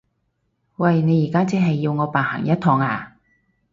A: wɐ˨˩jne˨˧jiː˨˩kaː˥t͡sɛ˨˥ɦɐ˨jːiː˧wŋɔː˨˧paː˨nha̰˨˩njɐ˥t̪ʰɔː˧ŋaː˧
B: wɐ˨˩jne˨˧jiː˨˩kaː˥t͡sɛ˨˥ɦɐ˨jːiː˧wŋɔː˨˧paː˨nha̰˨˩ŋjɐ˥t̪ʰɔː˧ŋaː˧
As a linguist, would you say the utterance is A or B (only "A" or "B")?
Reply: B